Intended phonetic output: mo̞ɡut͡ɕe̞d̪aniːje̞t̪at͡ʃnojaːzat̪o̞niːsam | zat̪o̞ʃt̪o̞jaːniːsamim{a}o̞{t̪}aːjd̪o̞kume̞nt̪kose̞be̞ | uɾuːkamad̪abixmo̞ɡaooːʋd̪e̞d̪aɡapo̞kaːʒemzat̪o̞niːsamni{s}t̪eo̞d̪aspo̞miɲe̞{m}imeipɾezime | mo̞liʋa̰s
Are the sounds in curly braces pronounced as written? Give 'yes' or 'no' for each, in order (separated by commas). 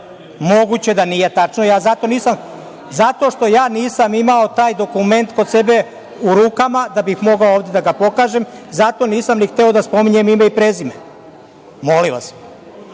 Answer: yes, yes, no, yes